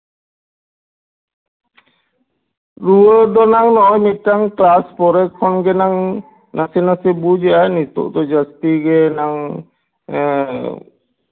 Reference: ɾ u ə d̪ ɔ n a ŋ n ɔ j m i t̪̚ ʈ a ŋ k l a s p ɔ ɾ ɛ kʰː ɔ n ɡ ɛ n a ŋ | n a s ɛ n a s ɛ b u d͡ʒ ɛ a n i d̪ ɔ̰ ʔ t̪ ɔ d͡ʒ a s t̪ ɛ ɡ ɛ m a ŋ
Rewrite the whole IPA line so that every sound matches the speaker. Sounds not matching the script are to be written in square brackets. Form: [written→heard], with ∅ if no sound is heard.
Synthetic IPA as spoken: ɾ u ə d̪ ɔ n a ŋ n ɔ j m i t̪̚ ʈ a ŋ k l a s p ɔ ɾ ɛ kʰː ɔ n ɡ ɛ n a ŋ | n a s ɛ n a s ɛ b u d͡ʒ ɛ a n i [d̪→t̪] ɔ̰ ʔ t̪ ɔ d͡ʒ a s t̪ [ɛ→i] ɡ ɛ [m→n] a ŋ